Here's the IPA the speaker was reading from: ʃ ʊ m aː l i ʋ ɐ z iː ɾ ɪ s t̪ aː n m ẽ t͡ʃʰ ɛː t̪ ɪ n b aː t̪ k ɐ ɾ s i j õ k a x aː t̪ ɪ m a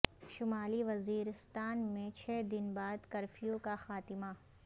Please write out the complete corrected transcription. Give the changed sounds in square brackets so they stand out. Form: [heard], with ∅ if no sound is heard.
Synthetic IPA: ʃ ʊ m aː l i ʋ ɐ z iː ɾ ɪ s t̪ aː n m ẽ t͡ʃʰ ɛː [d̪] ɪ n b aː [d̪] k ɐ ɾ [f] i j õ k a x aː t̪ ɪ m a